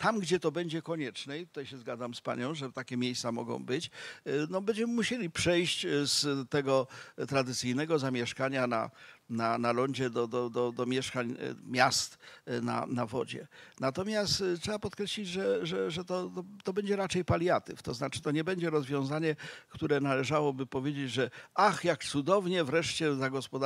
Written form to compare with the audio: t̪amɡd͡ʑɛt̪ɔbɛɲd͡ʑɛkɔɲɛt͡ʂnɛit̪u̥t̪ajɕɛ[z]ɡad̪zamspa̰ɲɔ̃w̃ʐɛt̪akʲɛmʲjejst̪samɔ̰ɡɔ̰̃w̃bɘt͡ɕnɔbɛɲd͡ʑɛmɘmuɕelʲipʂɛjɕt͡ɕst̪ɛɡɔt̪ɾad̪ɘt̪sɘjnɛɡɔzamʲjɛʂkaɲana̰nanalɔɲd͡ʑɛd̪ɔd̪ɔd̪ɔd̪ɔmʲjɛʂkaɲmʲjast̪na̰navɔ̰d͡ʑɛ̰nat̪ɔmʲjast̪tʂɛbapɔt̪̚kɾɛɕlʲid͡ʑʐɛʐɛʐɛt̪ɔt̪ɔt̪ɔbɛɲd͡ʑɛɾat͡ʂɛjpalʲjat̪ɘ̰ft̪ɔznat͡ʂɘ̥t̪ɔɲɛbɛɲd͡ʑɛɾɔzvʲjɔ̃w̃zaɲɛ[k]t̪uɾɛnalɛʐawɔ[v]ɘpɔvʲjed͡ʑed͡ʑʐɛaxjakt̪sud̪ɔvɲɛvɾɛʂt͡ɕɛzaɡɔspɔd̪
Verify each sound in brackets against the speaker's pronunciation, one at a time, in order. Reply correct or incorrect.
correct, correct, incorrect

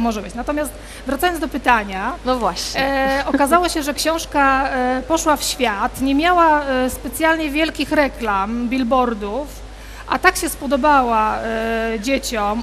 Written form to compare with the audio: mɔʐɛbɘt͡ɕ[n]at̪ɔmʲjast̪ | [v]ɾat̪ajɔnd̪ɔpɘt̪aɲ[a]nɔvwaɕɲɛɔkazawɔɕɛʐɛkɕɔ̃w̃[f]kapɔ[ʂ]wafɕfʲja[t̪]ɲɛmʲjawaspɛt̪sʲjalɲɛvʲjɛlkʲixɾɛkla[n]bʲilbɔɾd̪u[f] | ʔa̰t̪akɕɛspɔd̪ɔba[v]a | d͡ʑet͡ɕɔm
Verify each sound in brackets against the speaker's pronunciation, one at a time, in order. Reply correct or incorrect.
correct, correct, correct, incorrect, correct, correct, incorrect, correct, incorrect

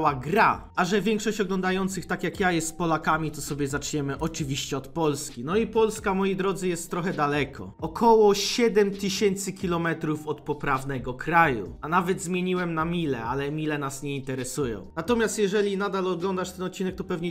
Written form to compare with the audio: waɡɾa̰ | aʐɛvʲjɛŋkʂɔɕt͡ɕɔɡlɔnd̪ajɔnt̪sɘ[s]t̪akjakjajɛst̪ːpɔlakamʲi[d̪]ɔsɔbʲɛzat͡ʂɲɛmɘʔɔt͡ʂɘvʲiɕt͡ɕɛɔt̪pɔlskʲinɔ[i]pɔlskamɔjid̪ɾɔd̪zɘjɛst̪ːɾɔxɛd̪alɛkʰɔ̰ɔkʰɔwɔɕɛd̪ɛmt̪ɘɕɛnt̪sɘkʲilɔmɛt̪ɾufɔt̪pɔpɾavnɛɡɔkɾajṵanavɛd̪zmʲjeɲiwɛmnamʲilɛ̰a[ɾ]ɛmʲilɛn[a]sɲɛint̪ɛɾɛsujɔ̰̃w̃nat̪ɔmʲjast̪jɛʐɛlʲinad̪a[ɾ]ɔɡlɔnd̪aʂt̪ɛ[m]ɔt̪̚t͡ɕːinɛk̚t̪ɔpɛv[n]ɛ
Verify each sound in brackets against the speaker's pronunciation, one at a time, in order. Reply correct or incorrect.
incorrect, incorrect, correct, incorrect, correct, incorrect, incorrect, incorrect

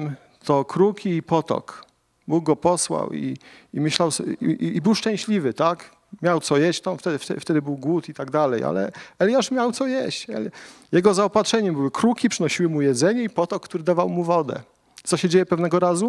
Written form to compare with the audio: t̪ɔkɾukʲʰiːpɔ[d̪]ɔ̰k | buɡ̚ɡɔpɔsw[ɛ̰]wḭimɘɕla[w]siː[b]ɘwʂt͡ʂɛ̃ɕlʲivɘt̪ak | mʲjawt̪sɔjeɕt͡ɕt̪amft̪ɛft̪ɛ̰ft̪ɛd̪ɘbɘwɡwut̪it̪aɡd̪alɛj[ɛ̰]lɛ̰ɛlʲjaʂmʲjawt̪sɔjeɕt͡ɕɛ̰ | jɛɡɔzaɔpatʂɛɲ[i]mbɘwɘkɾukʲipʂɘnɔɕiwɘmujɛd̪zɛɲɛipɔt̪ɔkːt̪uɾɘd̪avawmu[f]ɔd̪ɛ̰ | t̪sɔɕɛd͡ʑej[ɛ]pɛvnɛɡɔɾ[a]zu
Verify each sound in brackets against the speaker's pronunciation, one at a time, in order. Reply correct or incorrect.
incorrect, incorrect, correct, correct, incorrect, incorrect, incorrect, correct, correct

